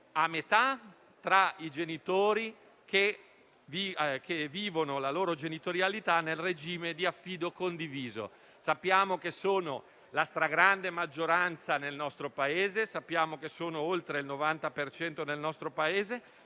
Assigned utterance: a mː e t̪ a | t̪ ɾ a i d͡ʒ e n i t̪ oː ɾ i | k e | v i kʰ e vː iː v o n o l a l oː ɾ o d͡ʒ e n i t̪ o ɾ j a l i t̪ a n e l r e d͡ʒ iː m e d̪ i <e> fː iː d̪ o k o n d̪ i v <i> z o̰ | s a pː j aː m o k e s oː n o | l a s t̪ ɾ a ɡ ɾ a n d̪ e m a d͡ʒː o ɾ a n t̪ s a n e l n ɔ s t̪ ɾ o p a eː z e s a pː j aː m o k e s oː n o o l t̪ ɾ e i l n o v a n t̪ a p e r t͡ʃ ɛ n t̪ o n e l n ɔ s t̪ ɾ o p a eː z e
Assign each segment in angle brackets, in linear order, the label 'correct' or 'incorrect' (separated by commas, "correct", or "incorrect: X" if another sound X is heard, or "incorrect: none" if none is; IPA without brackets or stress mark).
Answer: incorrect: a, incorrect: iː